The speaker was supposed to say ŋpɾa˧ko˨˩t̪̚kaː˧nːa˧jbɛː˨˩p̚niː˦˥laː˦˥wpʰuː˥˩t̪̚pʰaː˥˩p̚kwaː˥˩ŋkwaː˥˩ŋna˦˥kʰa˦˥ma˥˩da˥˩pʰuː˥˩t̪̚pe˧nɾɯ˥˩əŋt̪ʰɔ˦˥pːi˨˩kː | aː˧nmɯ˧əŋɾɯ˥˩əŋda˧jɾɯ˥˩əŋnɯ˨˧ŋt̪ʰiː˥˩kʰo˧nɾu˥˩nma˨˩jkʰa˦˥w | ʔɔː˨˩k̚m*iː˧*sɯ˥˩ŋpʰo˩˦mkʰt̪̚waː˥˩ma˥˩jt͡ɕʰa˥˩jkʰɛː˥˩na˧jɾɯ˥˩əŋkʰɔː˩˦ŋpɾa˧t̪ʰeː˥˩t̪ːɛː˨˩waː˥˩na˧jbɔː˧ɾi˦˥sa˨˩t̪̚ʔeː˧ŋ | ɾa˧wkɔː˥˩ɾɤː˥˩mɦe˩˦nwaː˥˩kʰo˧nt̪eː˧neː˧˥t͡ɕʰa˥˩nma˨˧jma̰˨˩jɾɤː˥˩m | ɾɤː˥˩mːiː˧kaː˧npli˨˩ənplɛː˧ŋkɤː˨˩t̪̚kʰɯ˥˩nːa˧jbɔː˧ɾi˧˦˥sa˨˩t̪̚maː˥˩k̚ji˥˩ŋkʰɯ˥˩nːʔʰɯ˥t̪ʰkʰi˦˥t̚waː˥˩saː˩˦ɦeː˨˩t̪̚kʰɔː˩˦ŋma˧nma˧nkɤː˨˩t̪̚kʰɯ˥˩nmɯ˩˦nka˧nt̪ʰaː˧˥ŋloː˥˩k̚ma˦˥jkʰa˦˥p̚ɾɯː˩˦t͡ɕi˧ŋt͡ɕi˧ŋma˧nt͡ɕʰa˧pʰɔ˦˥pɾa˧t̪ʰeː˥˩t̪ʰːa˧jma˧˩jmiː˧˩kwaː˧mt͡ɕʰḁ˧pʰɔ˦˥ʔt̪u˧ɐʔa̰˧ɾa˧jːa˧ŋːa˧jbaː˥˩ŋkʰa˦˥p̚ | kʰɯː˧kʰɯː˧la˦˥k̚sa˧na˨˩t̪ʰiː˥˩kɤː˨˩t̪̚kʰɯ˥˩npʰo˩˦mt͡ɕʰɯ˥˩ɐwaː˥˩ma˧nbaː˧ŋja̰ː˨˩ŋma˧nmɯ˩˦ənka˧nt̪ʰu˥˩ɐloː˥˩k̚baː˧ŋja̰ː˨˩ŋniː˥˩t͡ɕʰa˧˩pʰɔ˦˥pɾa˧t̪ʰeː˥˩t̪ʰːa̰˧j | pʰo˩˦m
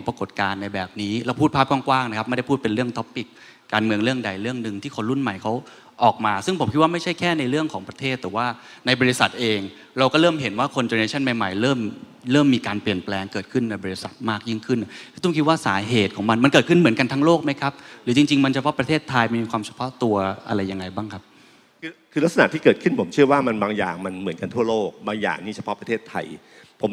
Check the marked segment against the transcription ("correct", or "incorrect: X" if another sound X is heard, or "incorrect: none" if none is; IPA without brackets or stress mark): incorrect: aː˧